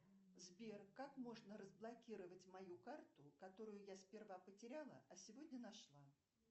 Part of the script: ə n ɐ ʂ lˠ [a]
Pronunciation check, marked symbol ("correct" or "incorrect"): correct